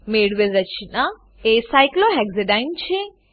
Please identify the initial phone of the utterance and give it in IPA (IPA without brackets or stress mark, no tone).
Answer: m